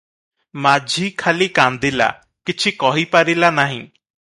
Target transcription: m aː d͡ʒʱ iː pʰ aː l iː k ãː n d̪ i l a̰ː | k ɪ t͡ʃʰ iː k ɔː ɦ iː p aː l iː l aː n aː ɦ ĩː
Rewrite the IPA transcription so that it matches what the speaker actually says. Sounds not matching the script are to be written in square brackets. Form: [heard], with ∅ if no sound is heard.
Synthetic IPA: m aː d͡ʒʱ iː [kʰ] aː l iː k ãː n d̪ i l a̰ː | k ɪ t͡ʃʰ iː k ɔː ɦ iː p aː [ɾ] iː l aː n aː ɦ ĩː